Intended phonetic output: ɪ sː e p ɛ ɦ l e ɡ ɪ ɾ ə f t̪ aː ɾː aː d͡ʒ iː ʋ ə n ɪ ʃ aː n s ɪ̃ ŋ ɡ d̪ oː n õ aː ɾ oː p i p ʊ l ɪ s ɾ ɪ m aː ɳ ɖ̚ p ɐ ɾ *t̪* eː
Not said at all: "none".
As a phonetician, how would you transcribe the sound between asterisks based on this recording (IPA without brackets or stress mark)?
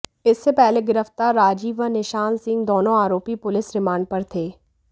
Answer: t̪ʰ